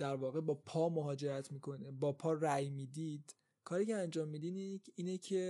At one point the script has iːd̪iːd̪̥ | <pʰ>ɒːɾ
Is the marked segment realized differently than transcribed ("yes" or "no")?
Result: yes